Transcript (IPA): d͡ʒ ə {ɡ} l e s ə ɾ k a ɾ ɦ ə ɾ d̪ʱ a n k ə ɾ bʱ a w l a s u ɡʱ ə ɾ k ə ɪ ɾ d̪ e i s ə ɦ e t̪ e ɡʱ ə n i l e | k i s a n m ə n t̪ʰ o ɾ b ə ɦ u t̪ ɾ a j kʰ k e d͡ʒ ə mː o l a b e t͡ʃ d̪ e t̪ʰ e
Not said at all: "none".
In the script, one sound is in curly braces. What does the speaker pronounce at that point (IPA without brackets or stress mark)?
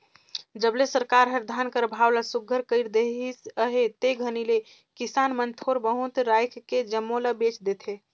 b